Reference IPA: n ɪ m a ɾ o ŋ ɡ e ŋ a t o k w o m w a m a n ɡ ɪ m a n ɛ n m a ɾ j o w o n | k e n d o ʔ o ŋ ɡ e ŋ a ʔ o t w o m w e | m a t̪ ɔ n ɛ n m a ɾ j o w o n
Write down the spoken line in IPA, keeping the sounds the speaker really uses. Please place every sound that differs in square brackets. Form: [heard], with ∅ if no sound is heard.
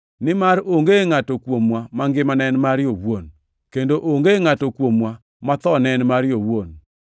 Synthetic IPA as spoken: n ɪ m a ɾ o ŋ ɡ e ŋ a t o k w o m w a m a [ŋ] ɡ ɪ m a n ɛ n m a ɾ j o w o n | k e n d o ʔ o ŋ ɡ e ŋ a [t] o [k] w o m w [a] | m a t̪ ɔ n ɛ n m a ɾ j o w o n